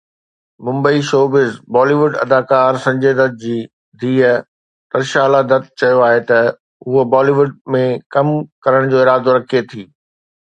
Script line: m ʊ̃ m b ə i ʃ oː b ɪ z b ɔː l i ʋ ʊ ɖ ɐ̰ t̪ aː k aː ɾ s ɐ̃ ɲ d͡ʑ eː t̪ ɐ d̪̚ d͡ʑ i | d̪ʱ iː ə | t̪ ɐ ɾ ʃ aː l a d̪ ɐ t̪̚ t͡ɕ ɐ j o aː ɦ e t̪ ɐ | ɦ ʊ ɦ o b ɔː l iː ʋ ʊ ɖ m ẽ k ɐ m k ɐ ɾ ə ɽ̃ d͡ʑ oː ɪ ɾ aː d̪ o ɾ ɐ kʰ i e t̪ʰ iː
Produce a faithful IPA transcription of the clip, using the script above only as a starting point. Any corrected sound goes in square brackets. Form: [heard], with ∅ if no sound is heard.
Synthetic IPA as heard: m ʊ̃ m b ə i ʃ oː b ɪ z b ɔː l i ʋ ʊ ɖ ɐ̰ [d̪] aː k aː ɾ s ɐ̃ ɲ d͡ʑ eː [d̪] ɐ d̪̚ d͡ʑ [iː] | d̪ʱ iː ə | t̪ ɐ ɾ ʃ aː l a d̪ ɐ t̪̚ t͡ɕ ɐ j o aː ɦ e t̪ ɐ | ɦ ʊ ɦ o b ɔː l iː ʋ ʊ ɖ m ẽ k ɐ m k ɐ ɾ ə ɽ̃ d͡ʑ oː ɪ ɾ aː d̪ o ɾ ɐ kʰ i e t̪ʰ iː

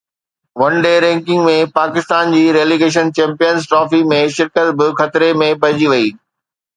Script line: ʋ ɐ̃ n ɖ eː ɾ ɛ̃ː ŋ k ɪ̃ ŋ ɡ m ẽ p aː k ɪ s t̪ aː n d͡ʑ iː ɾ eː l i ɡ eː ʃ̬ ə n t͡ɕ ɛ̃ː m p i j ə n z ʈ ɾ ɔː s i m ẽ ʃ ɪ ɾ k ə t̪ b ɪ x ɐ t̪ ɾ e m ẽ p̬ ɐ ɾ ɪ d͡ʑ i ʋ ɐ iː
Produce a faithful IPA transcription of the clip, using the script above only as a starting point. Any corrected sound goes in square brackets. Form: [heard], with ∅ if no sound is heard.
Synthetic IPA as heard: ʋ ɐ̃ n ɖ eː ɾ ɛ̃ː ŋ k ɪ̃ ŋ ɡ m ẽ p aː k ɪ s t̪ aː n d͡ʑ iː ɾ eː l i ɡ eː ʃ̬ ə n t͡ɕ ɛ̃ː m p i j ə n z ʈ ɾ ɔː [f] i m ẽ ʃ ɪ ɾ k ə t̪ b ɪ x ɐ t̪ ɾ e m ẽ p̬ ɐ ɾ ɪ d͡ʑ i ʋ ɐ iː

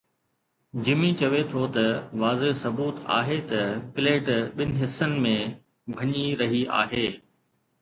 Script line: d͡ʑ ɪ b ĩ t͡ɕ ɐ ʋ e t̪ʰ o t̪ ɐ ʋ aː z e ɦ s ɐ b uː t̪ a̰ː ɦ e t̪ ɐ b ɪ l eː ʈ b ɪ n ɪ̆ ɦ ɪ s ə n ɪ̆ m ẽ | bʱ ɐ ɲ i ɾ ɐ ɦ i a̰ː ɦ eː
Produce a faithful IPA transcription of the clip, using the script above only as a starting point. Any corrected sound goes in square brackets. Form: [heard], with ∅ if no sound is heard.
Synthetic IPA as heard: d͡ʑ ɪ [m] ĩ t͡ɕ ɐ ʋ e t̪ʰ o t̪ ɐ ʋ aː z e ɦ s ɐ b uː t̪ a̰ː ɦ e t̪ ɐ [p] ɪ l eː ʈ [ɓ] ɪ n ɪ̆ ɦ ɪ s ə n ɪ̆ m ẽ | bʱ ɐ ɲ i ɾ ɐ ɦ i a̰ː ɦ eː

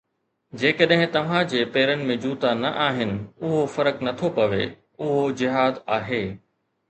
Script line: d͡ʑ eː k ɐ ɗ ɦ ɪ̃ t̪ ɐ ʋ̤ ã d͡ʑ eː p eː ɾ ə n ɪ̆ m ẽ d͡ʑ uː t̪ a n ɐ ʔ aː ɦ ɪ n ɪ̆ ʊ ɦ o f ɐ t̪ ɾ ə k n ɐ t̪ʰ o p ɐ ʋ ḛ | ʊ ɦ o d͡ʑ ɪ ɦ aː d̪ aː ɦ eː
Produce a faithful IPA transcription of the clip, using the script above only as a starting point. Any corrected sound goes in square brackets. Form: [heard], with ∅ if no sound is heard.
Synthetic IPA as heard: d͡ʑ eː k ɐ ɗ ɦ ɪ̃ t̪ ɐ ʋ̤ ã d͡ʑ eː p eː ɾ ə n ɪ̆ m ẽ d͡ʑ uː t̪ a n ɐ ʔ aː ɦ ɪ n ɪ̆ ʊ ɦ o f ɐ [∅] ɾ ə k n ɐ t̪ʰ o p ɐ ʋ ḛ | ʊ ɦ o d͡ʑ ɪ ɦ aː d̪ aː ɦ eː

